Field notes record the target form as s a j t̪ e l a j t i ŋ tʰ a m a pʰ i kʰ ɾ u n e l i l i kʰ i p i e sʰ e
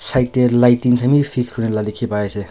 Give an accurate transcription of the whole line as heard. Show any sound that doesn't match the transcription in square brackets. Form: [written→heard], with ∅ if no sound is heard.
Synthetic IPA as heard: s a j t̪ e l a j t i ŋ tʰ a m [a→i] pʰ i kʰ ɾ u n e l [i→a] l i kʰ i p [i→a] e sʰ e